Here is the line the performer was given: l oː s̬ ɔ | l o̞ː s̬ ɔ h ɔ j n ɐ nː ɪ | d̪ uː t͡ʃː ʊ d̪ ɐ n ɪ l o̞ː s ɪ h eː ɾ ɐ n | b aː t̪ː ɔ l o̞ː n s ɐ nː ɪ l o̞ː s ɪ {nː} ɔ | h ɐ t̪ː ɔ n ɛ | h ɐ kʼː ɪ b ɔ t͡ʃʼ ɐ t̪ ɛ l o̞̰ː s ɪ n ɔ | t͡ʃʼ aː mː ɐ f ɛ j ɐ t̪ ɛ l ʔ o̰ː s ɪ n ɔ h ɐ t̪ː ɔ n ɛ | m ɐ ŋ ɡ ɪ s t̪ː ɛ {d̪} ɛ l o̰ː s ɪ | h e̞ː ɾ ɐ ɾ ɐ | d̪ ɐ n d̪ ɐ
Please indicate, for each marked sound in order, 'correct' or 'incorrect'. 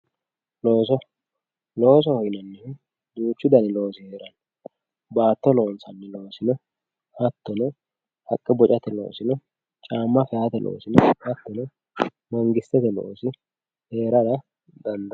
incorrect: n, incorrect: t̪

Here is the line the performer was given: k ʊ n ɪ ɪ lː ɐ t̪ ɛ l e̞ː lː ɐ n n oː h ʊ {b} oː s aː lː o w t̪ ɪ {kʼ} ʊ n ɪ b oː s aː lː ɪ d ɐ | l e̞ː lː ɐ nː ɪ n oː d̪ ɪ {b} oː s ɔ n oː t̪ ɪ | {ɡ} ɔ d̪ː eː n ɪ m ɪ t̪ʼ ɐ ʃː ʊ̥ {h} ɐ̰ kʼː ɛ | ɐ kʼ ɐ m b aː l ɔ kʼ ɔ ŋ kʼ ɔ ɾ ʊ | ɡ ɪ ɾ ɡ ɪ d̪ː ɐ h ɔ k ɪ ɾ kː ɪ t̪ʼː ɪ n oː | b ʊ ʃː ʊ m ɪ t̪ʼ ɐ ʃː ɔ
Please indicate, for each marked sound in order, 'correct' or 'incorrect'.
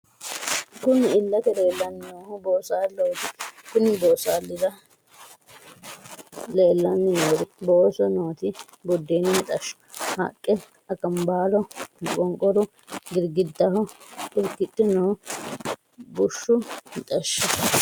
correct, incorrect: k, correct, incorrect: b, correct

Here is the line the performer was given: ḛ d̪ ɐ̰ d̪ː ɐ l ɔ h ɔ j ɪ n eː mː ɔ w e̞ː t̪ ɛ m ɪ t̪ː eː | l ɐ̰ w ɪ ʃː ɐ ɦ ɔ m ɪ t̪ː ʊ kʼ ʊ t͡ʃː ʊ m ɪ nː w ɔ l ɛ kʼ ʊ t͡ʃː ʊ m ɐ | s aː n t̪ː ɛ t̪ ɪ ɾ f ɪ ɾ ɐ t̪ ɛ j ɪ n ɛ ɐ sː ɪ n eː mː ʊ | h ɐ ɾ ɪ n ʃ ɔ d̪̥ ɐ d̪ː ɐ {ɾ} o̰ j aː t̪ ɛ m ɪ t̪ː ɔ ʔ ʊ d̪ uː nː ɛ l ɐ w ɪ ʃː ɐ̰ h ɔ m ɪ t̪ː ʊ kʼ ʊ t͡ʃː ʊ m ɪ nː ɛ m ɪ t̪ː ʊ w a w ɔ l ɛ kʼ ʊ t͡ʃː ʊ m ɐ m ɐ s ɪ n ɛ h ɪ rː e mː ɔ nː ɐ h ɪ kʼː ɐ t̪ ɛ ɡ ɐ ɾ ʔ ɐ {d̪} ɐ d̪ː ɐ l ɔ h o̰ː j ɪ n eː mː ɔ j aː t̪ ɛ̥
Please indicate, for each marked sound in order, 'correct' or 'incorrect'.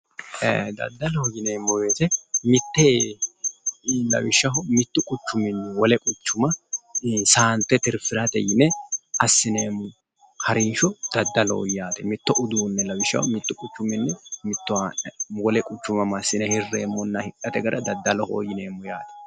incorrect: l, correct

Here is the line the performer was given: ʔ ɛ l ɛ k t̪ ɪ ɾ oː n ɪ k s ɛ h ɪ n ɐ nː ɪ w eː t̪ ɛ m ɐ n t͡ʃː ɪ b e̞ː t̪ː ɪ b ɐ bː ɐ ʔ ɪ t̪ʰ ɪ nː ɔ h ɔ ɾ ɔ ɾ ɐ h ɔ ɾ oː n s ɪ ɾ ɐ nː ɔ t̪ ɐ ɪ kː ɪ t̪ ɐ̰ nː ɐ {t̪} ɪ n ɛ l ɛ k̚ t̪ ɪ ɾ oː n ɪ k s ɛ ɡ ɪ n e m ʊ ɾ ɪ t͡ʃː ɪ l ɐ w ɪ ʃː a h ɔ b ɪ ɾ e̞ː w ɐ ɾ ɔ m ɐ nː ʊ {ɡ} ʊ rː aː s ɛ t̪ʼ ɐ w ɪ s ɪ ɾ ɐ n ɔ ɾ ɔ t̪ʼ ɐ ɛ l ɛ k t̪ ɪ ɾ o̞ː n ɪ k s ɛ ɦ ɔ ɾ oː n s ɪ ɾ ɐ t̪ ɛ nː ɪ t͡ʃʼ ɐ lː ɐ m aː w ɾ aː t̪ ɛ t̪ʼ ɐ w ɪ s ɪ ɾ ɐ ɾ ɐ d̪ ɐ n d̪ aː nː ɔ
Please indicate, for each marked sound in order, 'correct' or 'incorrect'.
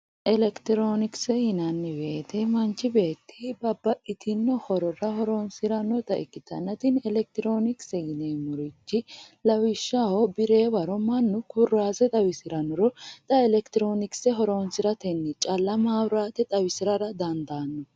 correct, incorrect: k

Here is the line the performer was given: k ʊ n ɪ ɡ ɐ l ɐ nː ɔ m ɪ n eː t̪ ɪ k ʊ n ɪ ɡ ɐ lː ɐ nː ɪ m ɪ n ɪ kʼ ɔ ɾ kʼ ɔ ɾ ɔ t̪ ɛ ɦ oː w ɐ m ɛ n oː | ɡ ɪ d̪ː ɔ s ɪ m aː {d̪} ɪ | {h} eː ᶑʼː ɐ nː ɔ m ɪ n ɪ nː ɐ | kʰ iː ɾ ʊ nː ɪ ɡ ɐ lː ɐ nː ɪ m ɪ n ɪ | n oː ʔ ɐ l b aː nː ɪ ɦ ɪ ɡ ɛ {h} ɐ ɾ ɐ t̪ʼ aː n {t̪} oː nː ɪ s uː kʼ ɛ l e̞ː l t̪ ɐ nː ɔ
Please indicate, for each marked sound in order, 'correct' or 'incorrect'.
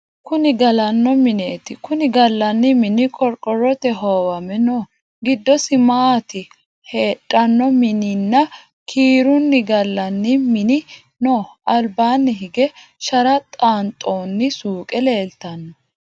incorrect: t̪, correct, incorrect: ʃ, incorrect: t̪ʼ

